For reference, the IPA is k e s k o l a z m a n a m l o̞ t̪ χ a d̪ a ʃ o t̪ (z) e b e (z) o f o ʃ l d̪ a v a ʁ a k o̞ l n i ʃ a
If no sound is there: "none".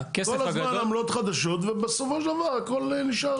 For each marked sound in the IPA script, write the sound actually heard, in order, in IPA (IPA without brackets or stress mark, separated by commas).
v, s